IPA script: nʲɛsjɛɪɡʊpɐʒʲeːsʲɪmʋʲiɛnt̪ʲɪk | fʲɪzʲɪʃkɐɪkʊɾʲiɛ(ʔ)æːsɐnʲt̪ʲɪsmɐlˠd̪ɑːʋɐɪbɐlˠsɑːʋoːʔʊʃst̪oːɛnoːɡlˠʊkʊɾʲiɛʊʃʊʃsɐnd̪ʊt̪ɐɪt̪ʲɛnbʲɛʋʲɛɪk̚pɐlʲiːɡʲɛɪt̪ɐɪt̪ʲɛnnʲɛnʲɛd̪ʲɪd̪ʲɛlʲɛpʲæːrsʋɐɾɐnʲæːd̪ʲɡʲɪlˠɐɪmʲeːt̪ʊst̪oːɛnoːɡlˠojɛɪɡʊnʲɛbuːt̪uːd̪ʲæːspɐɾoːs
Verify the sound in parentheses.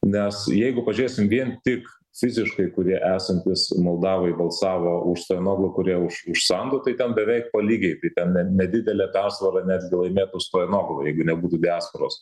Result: correct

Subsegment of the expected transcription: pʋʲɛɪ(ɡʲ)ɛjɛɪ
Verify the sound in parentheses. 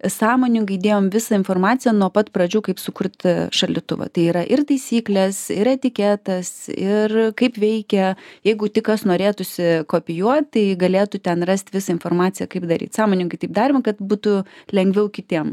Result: incorrect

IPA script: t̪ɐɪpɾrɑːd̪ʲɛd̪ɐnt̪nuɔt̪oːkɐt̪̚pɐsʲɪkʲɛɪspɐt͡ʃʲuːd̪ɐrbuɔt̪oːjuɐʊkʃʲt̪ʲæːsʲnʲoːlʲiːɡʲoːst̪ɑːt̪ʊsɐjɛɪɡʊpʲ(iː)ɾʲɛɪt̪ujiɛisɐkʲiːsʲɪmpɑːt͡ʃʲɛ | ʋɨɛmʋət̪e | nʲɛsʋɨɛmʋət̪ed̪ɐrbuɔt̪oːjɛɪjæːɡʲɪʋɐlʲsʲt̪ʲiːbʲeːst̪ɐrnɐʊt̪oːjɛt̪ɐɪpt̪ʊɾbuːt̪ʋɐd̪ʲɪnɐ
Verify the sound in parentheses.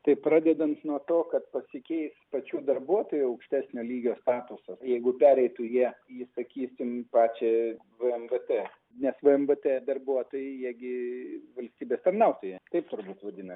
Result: incorrect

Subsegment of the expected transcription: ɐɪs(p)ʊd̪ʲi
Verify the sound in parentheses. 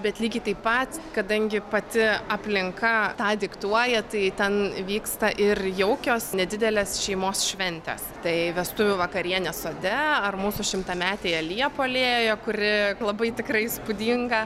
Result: correct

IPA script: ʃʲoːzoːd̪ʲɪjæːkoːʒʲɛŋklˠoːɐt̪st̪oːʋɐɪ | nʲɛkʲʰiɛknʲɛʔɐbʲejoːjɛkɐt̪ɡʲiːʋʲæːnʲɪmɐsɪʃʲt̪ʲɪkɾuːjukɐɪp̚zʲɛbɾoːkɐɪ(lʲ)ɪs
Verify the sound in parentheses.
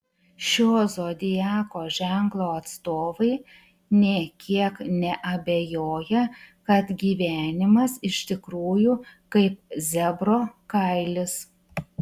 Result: correct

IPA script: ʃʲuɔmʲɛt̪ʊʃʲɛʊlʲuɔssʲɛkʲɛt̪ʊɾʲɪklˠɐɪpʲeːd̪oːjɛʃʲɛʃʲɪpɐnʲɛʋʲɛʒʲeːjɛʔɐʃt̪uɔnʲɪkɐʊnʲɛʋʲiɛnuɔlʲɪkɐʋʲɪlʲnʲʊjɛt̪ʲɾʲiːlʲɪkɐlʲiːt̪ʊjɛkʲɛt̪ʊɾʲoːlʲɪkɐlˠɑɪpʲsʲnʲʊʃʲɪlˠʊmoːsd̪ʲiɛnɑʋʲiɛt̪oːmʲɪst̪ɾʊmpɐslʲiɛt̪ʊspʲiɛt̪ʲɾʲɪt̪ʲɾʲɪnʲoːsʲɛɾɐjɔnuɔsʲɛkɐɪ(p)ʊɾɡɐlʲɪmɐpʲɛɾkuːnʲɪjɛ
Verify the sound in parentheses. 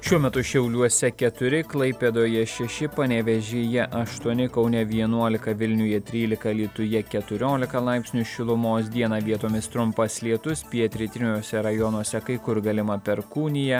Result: incorrect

